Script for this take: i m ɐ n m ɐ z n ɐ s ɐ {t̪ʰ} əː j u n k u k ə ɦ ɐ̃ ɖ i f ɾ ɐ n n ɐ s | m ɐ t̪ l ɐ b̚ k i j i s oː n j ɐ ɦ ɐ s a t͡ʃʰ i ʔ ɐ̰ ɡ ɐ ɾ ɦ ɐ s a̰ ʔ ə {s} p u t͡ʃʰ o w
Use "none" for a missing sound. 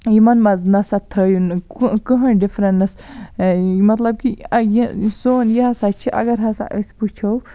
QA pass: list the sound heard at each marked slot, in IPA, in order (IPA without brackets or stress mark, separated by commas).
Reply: t̪ʰ, s